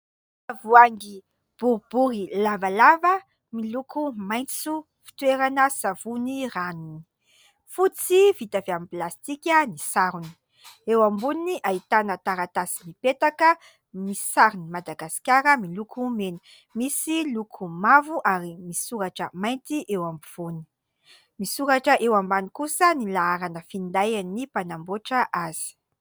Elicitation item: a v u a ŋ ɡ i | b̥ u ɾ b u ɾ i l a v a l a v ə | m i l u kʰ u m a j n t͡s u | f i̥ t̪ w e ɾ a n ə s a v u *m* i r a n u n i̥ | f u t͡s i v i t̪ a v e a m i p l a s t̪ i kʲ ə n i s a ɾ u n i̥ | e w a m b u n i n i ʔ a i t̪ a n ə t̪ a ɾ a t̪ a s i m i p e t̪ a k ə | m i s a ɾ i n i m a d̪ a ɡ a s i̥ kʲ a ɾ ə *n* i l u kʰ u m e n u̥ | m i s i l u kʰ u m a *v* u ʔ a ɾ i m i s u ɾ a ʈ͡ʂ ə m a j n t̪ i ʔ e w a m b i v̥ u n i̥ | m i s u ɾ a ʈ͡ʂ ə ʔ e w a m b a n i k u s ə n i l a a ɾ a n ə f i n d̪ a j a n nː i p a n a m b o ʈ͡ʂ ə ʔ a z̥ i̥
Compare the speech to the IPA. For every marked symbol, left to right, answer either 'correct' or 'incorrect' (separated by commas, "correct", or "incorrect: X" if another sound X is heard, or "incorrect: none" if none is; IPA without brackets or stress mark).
incorrect: n, incorrect: m, correct